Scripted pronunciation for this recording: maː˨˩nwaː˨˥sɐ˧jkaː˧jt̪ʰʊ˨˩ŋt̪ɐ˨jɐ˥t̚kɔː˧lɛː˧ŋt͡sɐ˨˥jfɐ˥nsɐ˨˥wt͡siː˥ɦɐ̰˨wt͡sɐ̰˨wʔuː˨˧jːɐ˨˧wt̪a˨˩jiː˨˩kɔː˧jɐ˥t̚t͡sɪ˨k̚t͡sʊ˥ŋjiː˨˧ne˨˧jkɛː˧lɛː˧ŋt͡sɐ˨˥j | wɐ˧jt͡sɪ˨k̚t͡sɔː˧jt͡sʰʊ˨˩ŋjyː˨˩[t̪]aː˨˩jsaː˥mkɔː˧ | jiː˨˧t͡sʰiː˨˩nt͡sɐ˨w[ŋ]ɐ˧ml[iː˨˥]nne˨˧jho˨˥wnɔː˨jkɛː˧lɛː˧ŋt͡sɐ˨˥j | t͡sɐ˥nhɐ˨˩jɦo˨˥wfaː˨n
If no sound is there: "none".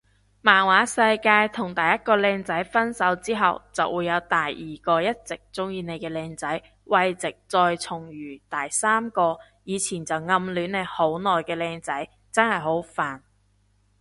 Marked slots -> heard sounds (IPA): t̪, ŋ, yː˨˥

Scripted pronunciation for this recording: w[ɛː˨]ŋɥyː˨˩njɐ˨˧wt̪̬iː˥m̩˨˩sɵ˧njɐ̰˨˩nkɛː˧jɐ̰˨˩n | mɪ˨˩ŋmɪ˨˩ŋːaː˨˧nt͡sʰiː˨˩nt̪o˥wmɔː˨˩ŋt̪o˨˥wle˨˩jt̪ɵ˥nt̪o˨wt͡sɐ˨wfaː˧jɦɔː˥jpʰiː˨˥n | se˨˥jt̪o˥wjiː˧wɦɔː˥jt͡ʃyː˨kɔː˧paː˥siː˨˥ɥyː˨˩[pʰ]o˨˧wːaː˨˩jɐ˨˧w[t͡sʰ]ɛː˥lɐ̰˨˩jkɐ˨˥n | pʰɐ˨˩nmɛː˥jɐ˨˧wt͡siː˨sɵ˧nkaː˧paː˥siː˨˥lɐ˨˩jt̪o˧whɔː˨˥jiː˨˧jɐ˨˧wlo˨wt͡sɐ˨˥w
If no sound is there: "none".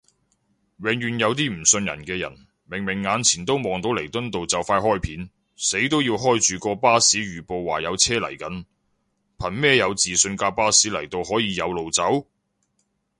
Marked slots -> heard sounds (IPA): ɛː˨, p, t͡sʰ

